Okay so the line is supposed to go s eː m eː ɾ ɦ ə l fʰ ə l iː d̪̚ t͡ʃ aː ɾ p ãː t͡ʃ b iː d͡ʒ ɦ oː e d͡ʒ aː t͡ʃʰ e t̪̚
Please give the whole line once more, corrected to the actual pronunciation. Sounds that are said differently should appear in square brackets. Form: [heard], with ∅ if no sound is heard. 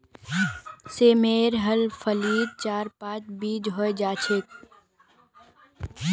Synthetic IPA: s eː m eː ɾ ɦ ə l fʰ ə l iː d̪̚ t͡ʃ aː ɾ p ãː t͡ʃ b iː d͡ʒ ɦ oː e d͡ʒ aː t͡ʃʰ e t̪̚